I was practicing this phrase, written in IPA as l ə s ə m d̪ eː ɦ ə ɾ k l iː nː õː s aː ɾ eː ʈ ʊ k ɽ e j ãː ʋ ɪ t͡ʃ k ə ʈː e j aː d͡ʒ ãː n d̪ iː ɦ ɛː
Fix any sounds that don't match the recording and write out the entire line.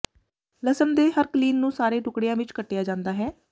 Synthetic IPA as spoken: l ə s ə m d̪ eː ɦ ə ɾ k l iː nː ũː s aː ɾ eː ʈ ʊ k ɽ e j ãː ʋ ɪ t͡ʃ k ə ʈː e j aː d͡ʒ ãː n d̪ aː ɦ ɛː

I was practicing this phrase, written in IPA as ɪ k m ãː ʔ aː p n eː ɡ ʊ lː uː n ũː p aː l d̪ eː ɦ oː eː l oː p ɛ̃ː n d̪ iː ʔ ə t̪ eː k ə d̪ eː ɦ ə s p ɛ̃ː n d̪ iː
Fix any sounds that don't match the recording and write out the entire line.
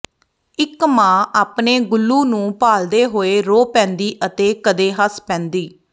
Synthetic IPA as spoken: ɪ k m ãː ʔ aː p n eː ɡ ʊ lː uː n ũː p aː l d̪ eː ɦ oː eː ɾ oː p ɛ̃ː n d̪ iː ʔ ə t̪ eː k ə d̪ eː ɦ ə s p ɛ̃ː n d̪ iː

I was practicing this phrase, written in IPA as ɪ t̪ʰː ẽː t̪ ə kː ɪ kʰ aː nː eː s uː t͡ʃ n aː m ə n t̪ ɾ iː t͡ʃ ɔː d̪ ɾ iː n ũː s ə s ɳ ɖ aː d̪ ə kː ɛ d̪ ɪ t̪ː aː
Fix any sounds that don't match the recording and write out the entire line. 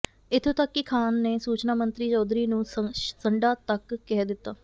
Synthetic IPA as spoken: ɪ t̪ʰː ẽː t̪ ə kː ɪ kʰ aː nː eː s uː t͡ʃ n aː m ə n t̪ ɾ iː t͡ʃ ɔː d̪ ɾ iː n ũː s ə ɳ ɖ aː t̪ ə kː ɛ d̪ ɪ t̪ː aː

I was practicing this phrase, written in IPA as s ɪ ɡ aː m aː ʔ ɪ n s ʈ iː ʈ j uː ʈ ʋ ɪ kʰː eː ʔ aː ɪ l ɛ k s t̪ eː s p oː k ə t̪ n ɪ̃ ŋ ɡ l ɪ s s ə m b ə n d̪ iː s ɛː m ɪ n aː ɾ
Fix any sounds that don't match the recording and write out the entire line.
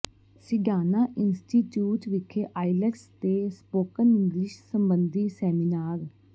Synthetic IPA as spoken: s ɪ ɡ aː n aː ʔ ɪ n s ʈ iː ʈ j uː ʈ ʋ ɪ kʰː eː ʔ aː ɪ l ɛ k s t̪ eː s p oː k ə n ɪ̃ ŋ ɡ l ɪ ʃ s ə m b ə n d̪ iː s ɛː m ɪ n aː ɾ

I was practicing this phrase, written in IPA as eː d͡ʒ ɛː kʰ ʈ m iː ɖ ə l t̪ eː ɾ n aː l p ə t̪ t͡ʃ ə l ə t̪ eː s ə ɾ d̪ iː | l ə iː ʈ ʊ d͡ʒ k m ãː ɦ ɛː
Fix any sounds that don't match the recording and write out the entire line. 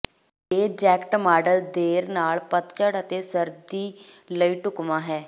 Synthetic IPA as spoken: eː d͡ʒ ɛː k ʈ m aː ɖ ə l d̪ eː ɾ n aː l p ə t̪ t͡ʃ ə ɽ ə t̪ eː s ə ɾ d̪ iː | l ə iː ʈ ʊ k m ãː ɦ ɛː

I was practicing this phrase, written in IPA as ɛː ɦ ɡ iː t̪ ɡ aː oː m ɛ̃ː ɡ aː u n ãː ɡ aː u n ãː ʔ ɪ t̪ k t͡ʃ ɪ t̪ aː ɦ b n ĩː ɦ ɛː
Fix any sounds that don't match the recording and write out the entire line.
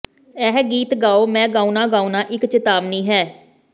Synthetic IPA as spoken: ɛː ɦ ɡ iː t̪ ɡ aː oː m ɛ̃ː ɡ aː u n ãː ɡ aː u n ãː ʔ ɪ k t͡ʃ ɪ t̪ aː b n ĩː ɦ ɛː

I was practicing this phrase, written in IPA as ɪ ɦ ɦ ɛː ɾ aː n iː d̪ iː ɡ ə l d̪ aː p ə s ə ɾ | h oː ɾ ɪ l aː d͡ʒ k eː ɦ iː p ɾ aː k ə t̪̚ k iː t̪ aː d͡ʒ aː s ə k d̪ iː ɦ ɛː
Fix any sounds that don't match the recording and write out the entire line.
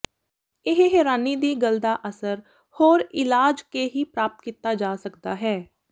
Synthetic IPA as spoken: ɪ ɦ ɦ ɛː ɾ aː n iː d̪ iː ɡ ə l d̪ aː ʔ ə s ə ɾ | h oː ɾ ɪ l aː d͡ʒ k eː ɦ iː p ɾ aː p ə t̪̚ k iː t̪ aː d͡ʒ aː s ə k d̪ aː ɦ ɛː

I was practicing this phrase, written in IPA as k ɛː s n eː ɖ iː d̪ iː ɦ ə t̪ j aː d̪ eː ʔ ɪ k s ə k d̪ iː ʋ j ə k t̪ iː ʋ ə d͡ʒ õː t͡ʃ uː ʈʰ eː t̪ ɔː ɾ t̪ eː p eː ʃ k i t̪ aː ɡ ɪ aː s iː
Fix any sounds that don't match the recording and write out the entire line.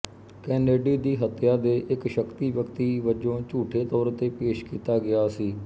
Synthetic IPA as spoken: k ɛː n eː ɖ iː d̪ iː ɦ ə t̪ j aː d̪ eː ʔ ɪ k ʃ ə k t̪ iː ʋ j ə k t̪ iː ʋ ə d͡ʒ õː t͡ʃ uː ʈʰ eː t̪ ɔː ɾ t̪ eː p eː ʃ k iː t̪ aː ɡ ɪ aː s iː

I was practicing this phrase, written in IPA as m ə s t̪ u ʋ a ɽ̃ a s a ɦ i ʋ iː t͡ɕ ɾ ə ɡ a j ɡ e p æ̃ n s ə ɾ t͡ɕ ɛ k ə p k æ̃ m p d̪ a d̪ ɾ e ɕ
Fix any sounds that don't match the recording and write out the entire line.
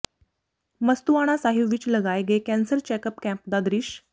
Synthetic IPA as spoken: m ə s t̪ u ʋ a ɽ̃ a s a ɦ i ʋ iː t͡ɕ l ə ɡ a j ɡ e k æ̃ n s ə ɾ t͡ɕ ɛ k ə p k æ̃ m p d̪ a d̪ ɾ i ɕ

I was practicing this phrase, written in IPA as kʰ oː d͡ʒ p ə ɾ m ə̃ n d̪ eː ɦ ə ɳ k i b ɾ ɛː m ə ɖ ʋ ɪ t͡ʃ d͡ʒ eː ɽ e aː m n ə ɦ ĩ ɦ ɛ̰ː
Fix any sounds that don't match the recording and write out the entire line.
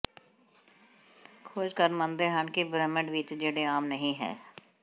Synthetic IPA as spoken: kʰ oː d͡ʒ k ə ɾ m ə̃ n d̪ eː ɦ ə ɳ k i b ɾ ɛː m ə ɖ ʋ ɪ t͡ʃ d͡ʒ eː ɽ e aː m n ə ɦ ĩ ɦ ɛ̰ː

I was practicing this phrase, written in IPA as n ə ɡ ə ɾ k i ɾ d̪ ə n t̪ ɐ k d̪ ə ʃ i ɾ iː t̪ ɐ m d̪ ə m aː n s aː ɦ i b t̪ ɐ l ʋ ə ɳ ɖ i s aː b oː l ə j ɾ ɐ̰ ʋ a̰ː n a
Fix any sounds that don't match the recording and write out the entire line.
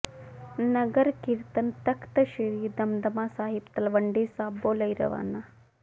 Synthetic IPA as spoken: n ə ɡ ə ɾ k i ɾ t̪ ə n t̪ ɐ k t̪ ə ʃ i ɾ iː d̪ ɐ m d̪ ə m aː s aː ɦ i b t̪ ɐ l ʋ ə ɳ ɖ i s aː b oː l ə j ɾ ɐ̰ ʋ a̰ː n a

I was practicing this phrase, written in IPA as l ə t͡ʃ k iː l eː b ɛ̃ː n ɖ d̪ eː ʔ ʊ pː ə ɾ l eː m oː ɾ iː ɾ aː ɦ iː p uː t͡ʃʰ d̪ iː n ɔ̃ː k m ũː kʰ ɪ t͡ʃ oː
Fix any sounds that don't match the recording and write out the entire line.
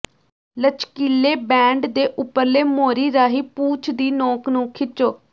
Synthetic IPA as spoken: l ə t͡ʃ k iː l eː b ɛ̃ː ɳ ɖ d̪ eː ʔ ʊ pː ə ɾ l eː m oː ɾ iː ɾ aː ɦ iː p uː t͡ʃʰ d̪ iː n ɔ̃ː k n ũː kʰ ɪ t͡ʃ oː

